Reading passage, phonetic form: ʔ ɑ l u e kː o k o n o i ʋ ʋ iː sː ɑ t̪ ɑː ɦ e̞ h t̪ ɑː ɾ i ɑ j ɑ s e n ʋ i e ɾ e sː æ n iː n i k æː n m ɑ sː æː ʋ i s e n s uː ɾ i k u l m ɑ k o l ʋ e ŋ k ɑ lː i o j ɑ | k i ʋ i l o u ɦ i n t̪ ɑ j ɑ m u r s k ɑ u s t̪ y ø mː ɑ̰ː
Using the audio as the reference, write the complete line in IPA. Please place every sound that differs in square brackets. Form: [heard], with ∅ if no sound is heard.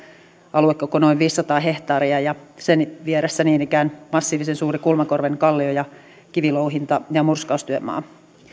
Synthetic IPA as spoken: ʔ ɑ l u e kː o k o n o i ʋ ʋ iː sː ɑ t̪ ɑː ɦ e̞ h t̪ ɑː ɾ i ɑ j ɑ s e n ʋ i e ɾ e sː æ n iː n i k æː n m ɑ sː [iː] ʋ i s e n s uː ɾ i k u l m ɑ k o [r] ʋ e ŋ k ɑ lː i o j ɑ | k i ʋ i l o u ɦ i n t̪ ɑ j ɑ m u r s k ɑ u s t̪ y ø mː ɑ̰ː